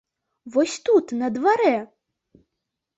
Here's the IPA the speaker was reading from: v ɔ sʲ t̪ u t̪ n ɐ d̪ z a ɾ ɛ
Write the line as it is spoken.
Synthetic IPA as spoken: v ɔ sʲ t̪ u t̪ n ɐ d̪ v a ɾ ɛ